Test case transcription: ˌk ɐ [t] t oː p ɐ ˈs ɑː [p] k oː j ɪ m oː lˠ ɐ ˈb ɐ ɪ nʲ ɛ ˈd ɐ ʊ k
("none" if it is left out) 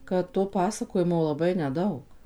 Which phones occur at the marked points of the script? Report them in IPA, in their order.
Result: t, none

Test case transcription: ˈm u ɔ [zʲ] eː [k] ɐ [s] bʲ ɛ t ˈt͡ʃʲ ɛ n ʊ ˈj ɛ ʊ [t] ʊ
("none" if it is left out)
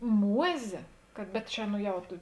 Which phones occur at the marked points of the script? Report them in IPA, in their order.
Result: zʲ, k, t, t

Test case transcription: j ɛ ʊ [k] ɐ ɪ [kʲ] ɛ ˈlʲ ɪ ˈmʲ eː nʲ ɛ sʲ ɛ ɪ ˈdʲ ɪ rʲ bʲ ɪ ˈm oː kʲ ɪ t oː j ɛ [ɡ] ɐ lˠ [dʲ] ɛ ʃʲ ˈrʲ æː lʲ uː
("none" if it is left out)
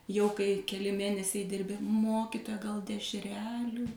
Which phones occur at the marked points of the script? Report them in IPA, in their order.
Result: k, kʲ, ɡ, dʲ

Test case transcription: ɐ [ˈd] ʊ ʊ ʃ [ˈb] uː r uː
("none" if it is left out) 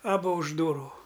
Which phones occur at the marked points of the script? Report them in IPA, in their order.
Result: b, d

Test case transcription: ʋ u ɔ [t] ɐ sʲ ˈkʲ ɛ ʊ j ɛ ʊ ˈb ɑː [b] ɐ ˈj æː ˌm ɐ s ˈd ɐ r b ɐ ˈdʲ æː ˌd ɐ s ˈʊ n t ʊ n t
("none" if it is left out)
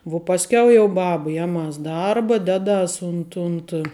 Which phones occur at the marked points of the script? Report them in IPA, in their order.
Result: p, b

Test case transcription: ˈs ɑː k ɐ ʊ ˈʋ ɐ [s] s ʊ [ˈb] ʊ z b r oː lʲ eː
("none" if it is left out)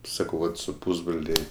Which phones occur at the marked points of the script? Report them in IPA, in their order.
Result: t, p

